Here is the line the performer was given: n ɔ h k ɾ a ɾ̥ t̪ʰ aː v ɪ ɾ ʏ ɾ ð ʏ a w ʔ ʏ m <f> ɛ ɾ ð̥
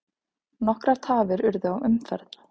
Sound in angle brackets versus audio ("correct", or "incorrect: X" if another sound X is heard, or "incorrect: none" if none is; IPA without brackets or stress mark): correct